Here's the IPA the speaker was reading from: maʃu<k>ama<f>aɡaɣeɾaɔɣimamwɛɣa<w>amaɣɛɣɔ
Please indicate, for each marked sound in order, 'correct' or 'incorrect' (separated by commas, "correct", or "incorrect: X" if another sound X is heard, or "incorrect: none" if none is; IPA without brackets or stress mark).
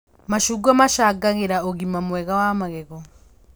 incorrect: ɡ, incorrect: ʃ, correct